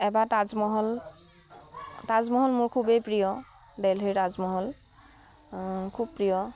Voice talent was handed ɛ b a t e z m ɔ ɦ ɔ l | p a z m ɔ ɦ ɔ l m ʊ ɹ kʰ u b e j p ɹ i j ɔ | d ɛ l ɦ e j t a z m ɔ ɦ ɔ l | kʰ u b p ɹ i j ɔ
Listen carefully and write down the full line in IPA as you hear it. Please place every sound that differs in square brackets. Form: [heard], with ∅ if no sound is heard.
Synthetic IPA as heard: ɛ b a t [a] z m ɔ ɦ ɔ l | [t] a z m ɔ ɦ ɔ l m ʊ ɹ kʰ u b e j p ɹ i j ɔ | d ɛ l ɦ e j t a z m ɔ ɦ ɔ l | kʰ u b p ɹ i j ɔ